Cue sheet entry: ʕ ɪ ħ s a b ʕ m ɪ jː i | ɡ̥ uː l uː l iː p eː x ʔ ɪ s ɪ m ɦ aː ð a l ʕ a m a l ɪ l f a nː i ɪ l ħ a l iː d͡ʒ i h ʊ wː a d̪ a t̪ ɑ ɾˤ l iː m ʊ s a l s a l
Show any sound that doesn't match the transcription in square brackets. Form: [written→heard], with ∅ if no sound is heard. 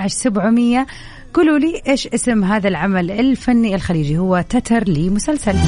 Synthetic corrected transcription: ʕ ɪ [ħ→ʃ] s a b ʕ m ɪ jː [i→a] | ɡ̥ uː l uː l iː [p→ʔ] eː [x→ʃ] ʔ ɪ s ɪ m ɦ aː ð a l ʕ a m a l ɪ l f a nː i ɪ l [ħ→x] a l iː d͡ʒ i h ʊ wː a [d̪→t̪] a t̪ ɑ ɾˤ l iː m ʊ s a l s a l